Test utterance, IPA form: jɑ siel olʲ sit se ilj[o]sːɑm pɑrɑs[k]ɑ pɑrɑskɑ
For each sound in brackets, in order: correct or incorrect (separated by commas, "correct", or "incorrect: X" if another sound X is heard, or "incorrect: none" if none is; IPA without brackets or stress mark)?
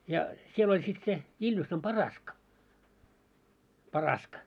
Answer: incorrect: u, correct